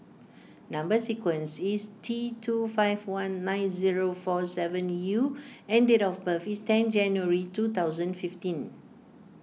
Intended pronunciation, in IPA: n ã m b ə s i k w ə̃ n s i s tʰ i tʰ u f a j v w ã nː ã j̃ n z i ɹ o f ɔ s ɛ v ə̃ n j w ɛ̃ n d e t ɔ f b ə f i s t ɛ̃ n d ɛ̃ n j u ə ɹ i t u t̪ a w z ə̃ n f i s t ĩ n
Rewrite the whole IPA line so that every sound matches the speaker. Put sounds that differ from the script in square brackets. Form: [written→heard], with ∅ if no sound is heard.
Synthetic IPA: n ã m b ə s i k w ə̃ n s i s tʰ i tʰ u f a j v w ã nː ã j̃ n z i ɹ o f ɔ s ɛ v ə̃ n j [w→u] ɛ̃ n d e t ɔ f b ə f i s t ɛ̃ n [d→d͡ʒ] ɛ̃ n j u ə ɹ i t u t̪ a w z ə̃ n f i [s→f] t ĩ n